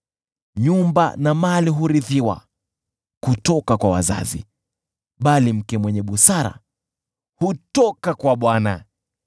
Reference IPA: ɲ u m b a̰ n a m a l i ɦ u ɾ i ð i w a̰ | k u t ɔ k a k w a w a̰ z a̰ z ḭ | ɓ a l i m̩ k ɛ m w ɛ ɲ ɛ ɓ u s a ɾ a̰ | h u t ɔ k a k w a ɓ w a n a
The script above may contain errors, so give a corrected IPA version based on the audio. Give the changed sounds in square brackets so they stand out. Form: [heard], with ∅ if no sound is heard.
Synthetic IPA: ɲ u m b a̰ n a m a l i ɦ u ɾ i ð i w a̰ | k u t ɔ k a k w a w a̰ z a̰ z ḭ | ɓ a l i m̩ k ɛ m w ɛ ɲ ɛ ɓ u s a ɾ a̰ | h u t ɔ k a k w a ɓ w a n a